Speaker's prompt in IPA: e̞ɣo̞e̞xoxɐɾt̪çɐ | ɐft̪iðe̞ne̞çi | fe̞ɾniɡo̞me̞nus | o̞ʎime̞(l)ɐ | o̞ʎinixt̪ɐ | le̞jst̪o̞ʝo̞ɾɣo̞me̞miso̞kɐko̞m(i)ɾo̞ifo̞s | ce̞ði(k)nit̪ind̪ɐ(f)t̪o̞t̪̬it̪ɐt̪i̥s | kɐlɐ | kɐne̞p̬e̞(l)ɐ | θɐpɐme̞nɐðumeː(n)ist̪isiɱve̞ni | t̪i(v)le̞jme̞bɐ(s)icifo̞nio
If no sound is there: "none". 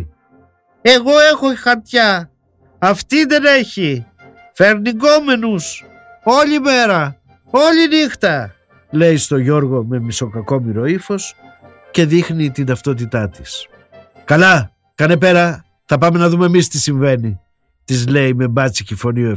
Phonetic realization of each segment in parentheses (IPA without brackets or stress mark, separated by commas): ɾ, i, x, f, ɾ, m, z, t͡s